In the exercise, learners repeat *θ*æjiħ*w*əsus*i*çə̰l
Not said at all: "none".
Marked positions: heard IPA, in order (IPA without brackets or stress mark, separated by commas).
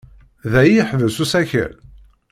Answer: ð, v, æ